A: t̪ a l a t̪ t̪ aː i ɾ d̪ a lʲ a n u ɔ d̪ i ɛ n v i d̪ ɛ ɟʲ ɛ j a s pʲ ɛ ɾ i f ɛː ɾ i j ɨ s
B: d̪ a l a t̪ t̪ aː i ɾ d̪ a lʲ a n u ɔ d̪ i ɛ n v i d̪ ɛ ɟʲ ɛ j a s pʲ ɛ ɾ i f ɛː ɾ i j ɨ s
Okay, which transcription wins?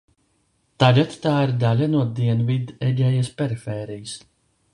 A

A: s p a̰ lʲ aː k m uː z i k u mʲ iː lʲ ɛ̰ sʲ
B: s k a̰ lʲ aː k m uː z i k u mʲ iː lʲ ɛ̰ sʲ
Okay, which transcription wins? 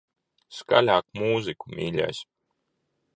B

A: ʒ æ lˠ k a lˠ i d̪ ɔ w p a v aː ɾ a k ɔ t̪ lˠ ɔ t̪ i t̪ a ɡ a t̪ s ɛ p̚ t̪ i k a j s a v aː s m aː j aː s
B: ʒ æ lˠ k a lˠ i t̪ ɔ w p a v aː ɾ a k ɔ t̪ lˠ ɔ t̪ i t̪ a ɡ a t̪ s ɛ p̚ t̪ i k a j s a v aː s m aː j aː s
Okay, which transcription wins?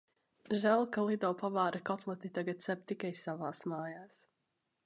A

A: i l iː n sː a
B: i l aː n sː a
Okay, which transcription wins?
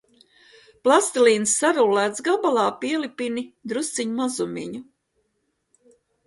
A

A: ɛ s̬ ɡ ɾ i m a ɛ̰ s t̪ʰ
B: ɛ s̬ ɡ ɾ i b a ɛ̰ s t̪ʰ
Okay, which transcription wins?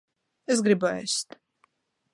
B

